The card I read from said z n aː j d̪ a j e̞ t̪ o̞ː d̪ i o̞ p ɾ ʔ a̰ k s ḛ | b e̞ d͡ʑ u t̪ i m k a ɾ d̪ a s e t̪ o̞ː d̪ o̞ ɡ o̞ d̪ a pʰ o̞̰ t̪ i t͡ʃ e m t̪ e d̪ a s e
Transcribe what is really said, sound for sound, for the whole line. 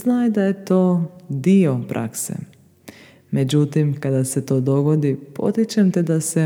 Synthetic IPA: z n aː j d̪ a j e̞ t̪ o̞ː d̪ i o̞ p ɾ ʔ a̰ k s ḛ | m e̞ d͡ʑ u t̪ i m k a d̪ a s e t̪ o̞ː d̪ o̞ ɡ o̞ d̪ i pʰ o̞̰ t̪ i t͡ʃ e m t̪ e d̪ a s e